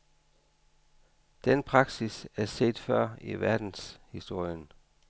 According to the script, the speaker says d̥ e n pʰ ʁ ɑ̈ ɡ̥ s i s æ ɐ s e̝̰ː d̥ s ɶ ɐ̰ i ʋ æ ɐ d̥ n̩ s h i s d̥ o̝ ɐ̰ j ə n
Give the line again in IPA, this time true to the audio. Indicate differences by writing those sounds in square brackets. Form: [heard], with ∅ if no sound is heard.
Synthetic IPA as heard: d̥ e n pʰ ʁ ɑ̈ ɡ̥ s i s æ ɐ s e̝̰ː d̥ [f] ɶ ɐ̰ i ʋ æ ɐ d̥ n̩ s h i s d̥ o̝ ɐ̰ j ə n